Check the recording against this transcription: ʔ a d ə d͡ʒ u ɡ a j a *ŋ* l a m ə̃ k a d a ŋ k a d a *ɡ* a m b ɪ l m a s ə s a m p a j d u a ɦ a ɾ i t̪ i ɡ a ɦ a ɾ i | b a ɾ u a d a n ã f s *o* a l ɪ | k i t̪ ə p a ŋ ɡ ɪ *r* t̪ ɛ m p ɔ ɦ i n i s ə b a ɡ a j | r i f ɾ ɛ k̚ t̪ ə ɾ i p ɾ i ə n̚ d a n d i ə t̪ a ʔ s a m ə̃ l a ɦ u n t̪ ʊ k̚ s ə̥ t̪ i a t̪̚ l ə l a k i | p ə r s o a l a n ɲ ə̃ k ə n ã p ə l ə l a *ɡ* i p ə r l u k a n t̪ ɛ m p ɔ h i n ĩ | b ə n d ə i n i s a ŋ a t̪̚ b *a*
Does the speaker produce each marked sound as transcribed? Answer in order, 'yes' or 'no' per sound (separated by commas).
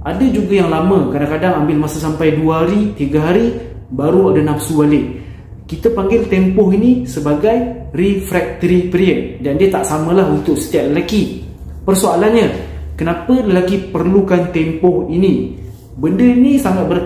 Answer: yes, no, no, no, no, no